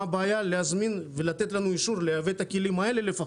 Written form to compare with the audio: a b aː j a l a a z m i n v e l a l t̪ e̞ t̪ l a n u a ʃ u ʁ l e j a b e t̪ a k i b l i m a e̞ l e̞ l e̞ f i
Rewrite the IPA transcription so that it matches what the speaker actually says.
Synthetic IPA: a b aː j a l e a z m i n v e l a t̪ e̞ t̪ l a n u i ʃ u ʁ l e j a v e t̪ a k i l i m a e̞ l e̞ l e̞ f a